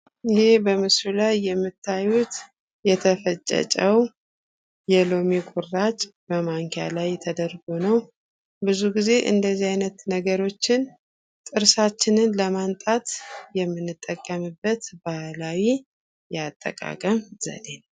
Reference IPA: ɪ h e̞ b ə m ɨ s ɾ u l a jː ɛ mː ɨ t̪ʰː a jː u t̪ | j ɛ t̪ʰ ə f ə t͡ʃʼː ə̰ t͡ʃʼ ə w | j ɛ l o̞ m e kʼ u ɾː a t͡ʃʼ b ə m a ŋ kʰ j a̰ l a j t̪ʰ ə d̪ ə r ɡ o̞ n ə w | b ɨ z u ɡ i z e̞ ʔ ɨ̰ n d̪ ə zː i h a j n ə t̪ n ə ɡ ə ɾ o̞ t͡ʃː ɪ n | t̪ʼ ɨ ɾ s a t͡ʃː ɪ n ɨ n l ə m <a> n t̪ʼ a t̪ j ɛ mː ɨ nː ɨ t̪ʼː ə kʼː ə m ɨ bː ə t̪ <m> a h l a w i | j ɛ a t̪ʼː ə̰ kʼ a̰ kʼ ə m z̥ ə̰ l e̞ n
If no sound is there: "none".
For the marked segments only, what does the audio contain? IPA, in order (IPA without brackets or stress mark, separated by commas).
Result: a, b